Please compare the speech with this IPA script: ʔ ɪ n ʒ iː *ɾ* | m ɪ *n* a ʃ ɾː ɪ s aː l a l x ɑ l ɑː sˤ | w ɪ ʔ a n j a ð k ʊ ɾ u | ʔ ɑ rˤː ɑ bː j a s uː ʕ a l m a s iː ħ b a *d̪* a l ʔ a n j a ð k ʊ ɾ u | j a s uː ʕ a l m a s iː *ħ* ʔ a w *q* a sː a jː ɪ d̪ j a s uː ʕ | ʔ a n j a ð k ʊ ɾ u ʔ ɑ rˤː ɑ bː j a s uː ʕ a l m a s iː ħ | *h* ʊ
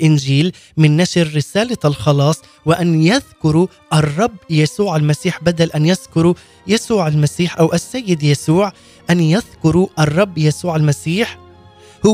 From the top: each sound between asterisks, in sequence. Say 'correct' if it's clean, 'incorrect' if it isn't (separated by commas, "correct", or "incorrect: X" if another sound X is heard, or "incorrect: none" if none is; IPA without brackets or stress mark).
incorrect: l, incorrect: nː, correct, correct, incorrect: ʔ, correct